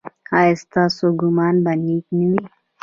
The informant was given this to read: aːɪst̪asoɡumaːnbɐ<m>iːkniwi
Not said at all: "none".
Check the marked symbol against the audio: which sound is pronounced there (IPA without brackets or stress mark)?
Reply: n